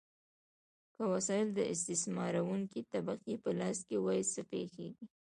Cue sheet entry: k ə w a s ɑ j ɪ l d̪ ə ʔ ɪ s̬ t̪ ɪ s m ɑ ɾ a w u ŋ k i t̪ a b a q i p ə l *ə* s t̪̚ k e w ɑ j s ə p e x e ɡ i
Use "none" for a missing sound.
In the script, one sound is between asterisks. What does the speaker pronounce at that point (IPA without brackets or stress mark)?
ɑ